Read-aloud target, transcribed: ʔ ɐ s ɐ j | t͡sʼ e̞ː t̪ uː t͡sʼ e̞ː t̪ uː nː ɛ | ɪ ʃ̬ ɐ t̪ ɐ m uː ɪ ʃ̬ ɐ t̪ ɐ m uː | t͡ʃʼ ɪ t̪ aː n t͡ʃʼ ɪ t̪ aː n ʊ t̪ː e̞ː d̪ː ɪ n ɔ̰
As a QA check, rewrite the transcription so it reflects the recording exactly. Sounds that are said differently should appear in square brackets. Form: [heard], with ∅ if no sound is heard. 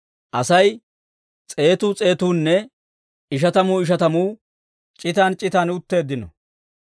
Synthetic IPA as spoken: ʔ ɐ s ɐ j | t͡sʼ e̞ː t̪ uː t͡sʼ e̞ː t̪ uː nː ɛ | ɪ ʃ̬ ɐ t̪ ɐ m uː ɪ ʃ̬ ɐ t̪ ɐ m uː | t͡ʃʼ ɪ t̪ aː n t͡ʃʼ ɪ t̪ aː n ʊ t̪ː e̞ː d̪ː ɪ n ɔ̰